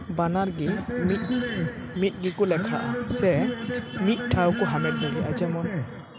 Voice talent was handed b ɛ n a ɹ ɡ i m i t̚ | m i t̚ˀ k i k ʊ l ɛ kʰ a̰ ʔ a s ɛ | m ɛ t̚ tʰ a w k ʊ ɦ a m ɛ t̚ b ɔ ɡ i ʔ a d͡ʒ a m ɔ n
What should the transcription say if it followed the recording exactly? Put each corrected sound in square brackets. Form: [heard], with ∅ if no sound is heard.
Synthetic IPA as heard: b [a] n a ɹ ɡ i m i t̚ | m i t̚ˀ [ɡ] i k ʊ l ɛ kʰ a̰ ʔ a s ɛ | m [i] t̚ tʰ a w k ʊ ɦ a m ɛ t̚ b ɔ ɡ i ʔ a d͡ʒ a m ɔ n